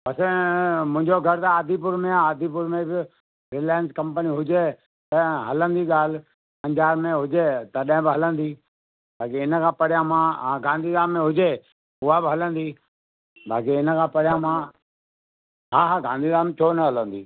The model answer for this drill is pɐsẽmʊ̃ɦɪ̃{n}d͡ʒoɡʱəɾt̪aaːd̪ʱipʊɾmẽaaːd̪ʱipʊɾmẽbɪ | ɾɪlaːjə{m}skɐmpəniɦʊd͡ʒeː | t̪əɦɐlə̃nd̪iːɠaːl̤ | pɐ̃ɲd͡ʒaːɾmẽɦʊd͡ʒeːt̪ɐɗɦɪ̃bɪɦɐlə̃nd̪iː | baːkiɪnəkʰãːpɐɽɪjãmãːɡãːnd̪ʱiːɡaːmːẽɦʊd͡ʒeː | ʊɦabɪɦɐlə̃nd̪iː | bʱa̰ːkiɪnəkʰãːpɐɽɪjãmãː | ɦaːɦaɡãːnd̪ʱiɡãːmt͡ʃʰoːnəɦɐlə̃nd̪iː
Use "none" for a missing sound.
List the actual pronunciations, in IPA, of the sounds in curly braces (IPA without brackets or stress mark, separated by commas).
ɲ, n